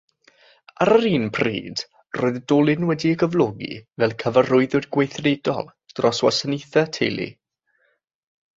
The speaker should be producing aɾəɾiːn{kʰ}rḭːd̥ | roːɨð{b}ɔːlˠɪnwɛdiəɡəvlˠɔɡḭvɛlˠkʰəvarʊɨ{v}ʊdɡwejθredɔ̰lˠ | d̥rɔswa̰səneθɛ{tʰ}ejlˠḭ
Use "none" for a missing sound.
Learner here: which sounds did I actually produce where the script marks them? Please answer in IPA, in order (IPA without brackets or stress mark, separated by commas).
pʰ, d, ð, tʰ